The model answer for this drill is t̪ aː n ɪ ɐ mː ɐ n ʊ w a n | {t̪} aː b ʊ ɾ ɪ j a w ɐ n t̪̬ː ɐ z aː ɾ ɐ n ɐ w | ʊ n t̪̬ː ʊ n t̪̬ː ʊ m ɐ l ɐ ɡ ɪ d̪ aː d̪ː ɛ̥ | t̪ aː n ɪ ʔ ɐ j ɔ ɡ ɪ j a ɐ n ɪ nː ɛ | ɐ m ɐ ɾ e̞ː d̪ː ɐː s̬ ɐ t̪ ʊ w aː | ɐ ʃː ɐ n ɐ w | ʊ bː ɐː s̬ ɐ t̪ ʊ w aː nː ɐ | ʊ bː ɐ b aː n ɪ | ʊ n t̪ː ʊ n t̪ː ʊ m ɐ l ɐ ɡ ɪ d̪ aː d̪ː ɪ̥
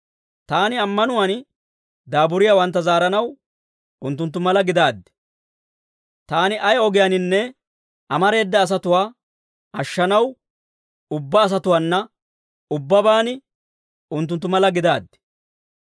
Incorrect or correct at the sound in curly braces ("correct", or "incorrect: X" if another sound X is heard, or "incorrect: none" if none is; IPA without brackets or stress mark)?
incorrect: d̪